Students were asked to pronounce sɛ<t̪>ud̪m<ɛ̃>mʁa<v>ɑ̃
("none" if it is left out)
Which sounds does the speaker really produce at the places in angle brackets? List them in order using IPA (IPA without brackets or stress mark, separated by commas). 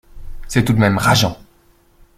t̪, ɛ, ʒ